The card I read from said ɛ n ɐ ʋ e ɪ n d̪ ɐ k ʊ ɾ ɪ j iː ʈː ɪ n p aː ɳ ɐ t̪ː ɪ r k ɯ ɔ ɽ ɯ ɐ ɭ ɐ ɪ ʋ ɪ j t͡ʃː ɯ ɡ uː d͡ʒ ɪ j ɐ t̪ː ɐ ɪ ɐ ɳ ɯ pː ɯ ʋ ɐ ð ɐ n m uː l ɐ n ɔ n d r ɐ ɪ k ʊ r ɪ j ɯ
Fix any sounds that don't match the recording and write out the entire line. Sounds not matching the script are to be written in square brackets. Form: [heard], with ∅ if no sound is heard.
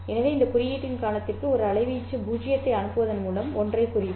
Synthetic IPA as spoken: ɛ n ɐ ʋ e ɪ n d̪ ɐ k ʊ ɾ ɪ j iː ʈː ɪ n [k] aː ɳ ɐ t̪ː ɪ r k ɯ ɔ [ɾ] ɯ ɐ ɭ ɐ ɪ ʋ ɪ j t͡ʃː ɯ [b] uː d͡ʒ ɪ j ɐ t̪ː ɐ ɪ ɐ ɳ ɯ pː ɯ ʋ ɐ ð ɐ n m uː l ɐ [m] ɔ n d r ɐ ɪ k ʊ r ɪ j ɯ